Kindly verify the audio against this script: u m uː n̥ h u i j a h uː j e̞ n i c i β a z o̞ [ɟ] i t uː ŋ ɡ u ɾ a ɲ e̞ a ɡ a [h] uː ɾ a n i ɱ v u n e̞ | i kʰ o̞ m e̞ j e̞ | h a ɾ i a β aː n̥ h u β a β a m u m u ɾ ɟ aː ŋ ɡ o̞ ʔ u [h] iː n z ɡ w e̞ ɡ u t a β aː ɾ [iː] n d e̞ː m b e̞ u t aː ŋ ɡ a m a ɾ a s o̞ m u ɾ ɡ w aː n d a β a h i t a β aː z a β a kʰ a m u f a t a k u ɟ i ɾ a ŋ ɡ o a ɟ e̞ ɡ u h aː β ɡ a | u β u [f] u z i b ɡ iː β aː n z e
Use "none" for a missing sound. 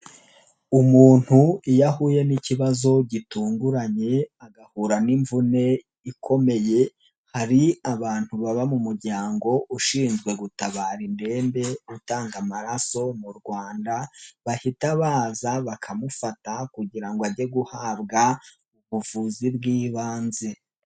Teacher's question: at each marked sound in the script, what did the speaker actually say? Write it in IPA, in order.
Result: ɟ, h, ʃ, i, v

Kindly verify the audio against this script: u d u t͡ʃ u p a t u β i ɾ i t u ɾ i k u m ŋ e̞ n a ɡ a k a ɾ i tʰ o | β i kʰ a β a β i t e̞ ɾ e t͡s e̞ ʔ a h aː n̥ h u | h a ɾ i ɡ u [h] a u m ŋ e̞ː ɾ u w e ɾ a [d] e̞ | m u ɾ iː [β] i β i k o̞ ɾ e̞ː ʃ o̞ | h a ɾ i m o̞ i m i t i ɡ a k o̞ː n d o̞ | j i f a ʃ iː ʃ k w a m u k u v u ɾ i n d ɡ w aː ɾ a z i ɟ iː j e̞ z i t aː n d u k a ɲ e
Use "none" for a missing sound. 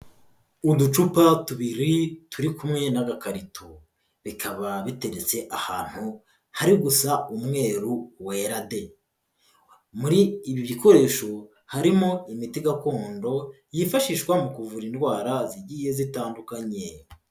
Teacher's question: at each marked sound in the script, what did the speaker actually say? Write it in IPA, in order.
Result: s, d, β

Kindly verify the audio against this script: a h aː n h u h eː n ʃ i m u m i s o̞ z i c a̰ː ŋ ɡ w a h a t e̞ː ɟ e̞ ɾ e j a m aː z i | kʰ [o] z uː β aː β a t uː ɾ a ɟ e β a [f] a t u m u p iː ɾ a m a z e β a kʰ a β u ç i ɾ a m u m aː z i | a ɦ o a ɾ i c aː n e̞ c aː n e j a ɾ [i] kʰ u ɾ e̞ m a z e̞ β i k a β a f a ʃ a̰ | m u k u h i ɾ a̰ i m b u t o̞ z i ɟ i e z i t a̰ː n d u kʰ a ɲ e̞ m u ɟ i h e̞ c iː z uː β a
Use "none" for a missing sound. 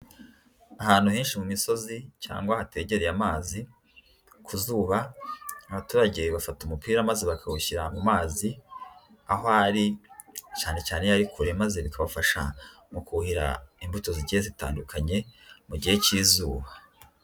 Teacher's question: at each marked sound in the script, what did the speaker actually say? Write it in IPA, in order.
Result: u, f, i

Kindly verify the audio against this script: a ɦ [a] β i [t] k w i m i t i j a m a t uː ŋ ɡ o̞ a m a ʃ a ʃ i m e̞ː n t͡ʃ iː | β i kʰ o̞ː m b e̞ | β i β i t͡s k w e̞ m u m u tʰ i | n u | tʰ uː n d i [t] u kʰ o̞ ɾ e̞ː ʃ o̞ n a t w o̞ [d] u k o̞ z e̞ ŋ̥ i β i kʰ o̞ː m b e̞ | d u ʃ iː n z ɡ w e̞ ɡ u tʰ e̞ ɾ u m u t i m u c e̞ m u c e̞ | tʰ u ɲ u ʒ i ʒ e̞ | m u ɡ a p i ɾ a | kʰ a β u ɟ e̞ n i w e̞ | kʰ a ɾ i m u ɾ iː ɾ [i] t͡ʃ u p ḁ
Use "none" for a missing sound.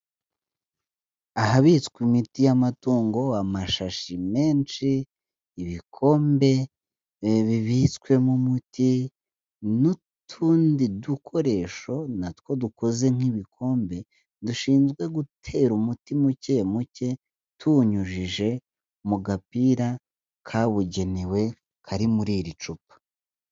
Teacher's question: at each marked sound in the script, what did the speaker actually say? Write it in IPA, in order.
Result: a, t͡s, d, d, i

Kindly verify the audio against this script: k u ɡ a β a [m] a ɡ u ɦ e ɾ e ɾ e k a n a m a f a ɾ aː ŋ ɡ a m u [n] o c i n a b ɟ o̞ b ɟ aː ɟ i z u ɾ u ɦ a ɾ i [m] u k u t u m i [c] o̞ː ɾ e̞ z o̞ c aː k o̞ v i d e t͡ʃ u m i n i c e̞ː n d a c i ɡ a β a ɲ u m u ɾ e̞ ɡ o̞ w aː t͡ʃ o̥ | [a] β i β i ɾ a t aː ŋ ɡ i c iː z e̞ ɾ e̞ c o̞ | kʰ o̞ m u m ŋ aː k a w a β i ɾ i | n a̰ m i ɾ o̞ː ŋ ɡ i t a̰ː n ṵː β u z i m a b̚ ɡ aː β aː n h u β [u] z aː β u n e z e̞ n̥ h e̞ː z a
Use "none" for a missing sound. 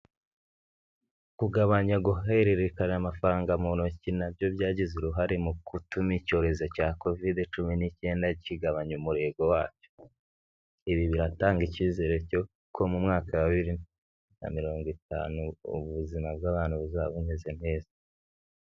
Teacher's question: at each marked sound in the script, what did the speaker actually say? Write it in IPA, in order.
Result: ɲ, n, m, c, i, u

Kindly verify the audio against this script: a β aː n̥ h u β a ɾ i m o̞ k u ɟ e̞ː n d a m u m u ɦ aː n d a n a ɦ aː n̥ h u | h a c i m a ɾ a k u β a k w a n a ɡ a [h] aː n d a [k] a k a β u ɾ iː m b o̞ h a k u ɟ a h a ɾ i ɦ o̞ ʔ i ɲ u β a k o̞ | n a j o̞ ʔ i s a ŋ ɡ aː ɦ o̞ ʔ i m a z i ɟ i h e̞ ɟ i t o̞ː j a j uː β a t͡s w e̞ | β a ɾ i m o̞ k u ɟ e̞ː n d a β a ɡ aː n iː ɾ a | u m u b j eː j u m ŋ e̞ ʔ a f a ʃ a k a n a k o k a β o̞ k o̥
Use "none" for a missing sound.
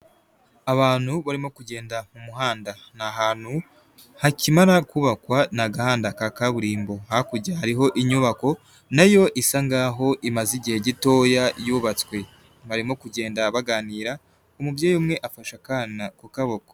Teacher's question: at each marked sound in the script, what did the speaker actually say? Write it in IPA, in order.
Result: h, k

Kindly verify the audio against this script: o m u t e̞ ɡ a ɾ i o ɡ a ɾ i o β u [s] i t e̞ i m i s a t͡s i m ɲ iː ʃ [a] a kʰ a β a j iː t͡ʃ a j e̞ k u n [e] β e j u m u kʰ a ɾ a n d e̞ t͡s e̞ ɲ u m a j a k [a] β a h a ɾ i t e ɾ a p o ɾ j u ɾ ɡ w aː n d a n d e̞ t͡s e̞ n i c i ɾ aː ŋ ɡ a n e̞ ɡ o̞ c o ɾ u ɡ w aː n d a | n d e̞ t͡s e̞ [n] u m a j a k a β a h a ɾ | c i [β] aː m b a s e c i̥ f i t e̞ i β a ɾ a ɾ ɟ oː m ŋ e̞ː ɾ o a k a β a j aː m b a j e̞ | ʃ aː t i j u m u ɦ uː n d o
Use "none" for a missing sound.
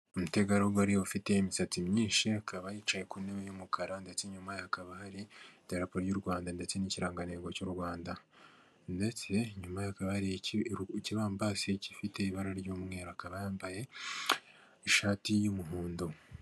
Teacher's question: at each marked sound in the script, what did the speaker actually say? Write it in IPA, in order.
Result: f, i, e, a, ɲ, β

